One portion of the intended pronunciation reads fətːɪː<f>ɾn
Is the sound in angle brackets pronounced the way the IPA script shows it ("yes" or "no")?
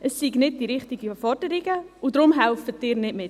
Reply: no